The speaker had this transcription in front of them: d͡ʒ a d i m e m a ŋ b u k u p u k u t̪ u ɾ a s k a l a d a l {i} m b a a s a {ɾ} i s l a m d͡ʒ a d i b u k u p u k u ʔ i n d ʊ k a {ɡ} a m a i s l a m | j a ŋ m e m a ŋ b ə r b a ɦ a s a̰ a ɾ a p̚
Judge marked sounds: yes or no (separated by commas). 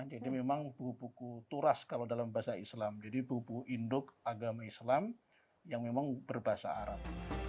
no, no, yes